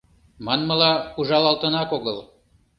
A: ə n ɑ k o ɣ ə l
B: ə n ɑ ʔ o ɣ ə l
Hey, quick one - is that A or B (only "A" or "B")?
A